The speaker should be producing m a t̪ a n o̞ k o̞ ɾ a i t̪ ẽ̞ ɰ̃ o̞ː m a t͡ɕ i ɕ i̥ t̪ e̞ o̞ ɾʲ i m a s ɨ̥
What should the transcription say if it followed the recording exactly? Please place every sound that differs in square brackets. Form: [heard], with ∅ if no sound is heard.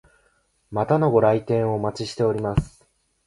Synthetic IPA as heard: m a t̪ a n o̞ [ɡ] o̞ ɾ a i t̪ ẽ̞ ɰ̃ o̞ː m a t͡ɕ i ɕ i̥ t̪ e̞ o̞ ɾʲ i m a s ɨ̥

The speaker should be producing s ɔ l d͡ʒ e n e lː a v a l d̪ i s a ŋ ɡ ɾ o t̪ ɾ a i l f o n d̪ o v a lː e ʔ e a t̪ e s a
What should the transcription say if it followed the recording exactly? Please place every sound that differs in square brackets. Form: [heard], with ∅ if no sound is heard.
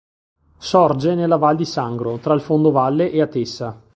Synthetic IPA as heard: s ɔ [r] d͡ʒ e n e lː a v a l d̪ i s a ŋ ɡ ɾ o t̪ ɾ a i l f o n d̪ o v a lː e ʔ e a t̪ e s a

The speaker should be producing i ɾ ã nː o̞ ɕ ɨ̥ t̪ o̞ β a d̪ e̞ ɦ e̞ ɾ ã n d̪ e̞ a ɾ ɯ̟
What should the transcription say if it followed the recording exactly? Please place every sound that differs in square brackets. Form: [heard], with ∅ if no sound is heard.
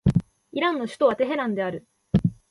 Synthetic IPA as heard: i ɾ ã nː o̞ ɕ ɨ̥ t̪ o̞ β a [t̪] e̞ ɦ e̞ ɾ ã n d̪ e̞ a ɾ ɯ̟

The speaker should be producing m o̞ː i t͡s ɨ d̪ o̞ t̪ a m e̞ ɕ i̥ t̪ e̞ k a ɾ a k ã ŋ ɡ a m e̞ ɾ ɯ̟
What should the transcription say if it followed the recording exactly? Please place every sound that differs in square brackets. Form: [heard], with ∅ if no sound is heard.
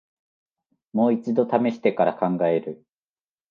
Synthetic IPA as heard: m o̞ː i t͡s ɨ d̪ o̞ t̪ a m e̞ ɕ i̥ t̪ e̞ k a ɾ a k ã ŋ ɡ a [∅] e̞ ɾ ɯ̟

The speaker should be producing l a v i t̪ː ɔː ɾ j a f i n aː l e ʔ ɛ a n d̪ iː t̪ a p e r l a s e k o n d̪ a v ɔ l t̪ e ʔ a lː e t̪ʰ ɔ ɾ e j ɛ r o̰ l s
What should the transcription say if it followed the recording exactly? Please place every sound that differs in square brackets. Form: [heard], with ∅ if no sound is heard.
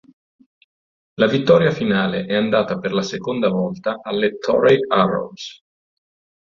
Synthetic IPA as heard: l a v i t̪ː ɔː ɾ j a f i n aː l e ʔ ɛ a n d̪ [aː] t̪ a p e r l a s e k o n d̪ a v ɔ l t̪ [a] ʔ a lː e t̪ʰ ɔ ɾ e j [a] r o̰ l s

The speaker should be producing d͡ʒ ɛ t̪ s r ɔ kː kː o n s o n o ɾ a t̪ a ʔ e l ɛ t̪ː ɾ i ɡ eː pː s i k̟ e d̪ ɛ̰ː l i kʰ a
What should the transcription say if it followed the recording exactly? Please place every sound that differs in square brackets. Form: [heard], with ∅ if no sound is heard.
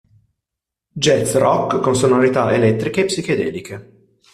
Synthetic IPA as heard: d͡ʒ ɛ t̪ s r ɔ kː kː o n s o n o ɾ [i] t̪ a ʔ e l ɛ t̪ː ɾ i [k] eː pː s i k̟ e d̪ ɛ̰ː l i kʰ [e]

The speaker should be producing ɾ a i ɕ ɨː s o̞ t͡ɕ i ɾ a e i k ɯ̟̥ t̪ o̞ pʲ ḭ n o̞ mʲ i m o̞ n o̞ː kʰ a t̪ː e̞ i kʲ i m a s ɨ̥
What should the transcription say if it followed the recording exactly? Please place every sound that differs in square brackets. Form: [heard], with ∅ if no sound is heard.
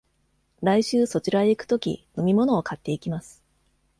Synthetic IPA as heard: ɾ a i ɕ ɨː s o̞ t͡ɕ i ɾ a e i k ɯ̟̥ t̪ o̞ [kʲ] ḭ n o̞ mʲ i m o̞ n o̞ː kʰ a t̪ː e̞ i kʲ i m a s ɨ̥

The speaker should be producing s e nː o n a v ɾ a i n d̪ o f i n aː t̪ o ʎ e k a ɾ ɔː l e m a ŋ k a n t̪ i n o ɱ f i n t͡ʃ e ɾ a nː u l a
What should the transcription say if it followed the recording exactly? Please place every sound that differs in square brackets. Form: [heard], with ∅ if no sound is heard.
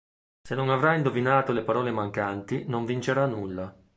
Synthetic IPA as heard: s e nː o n a v ɾ a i n d̪ o [v] i n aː t̪ o [l] e [p] a ɾ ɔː l e m a ŋ k a n t̪ i n o ɱ [v] i n t͡ʃ e ɾ a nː u [lː] a

